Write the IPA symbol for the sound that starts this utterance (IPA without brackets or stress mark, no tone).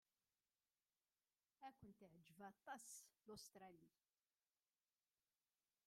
æ